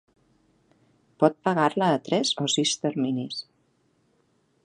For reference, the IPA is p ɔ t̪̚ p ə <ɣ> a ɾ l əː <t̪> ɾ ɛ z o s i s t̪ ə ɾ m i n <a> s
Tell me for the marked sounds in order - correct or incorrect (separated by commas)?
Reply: correct, correct, incorrect